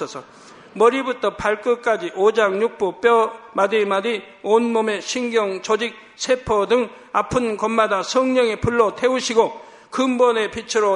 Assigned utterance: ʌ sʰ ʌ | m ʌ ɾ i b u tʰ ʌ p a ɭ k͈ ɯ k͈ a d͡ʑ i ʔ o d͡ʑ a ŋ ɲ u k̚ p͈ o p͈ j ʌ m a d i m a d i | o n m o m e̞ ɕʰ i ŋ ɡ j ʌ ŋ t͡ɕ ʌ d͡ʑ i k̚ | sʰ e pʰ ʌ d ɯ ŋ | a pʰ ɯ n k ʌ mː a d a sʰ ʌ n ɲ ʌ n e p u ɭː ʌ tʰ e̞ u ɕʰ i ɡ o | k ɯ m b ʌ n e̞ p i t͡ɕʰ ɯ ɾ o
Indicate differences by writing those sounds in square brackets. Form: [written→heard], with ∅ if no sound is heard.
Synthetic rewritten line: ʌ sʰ ʌ | m ʌ ɾ i b u tʰ ʌ p a ɭ k͈ ɯ k͈ a d͡ʑ i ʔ o d͡ʑ a ŋ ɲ u k̚ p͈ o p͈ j ʌ m a d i m a d i | o n m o m e̞ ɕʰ i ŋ ɡ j ʌ ŋ t͡ɕ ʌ d͡ʑ i k̚ | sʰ e pʰ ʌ d ɯ ŋ | a pʰ ɯ n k ʌ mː a d a sʰ ʌ [n→ŋ] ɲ ʌ [n→ŋ] e p u ɭː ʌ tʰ e̞ u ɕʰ i ɡ o | k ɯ m b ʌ n e̞ p i t͡ɕʰ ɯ ɾ o